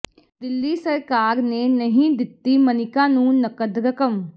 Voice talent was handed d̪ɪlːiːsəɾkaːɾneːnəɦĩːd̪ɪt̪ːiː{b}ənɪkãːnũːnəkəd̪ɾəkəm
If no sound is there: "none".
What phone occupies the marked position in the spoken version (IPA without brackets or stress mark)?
m